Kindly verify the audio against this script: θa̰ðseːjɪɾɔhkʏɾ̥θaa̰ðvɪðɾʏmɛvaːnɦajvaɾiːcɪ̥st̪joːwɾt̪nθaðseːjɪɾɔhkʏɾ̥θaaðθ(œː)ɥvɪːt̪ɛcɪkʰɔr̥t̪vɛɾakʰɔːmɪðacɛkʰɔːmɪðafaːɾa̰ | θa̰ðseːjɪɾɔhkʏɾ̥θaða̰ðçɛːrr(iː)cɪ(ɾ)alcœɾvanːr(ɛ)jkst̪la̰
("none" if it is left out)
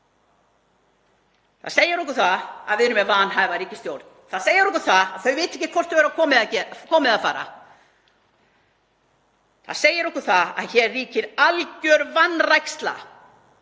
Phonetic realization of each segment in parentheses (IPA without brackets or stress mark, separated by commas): œ, iː, ɾ, a